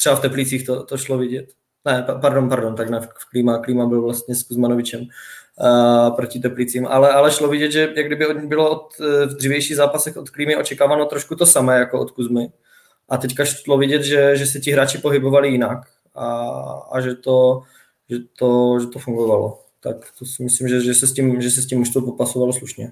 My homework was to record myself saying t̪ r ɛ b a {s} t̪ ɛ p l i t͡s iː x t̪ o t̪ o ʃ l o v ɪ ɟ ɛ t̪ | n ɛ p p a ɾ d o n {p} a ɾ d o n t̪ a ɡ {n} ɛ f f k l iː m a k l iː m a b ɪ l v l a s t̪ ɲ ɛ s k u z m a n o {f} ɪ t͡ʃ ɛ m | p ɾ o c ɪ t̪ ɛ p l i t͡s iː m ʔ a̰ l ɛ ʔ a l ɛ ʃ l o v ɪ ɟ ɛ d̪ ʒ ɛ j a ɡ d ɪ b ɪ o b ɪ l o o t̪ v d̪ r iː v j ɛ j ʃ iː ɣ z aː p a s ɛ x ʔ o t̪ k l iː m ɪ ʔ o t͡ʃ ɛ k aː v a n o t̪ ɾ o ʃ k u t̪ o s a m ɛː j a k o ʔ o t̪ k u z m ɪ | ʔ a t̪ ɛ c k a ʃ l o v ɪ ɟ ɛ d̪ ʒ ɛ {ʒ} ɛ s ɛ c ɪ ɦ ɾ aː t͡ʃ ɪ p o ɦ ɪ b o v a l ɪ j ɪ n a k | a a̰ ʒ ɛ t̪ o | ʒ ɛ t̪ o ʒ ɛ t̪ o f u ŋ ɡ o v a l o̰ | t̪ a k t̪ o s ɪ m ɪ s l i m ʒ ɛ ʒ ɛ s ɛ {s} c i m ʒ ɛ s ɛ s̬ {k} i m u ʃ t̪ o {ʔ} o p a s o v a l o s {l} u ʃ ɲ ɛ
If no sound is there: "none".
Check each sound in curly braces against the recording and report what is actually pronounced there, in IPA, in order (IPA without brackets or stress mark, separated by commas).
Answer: f, p, n, v, ʒ, s, c, p, l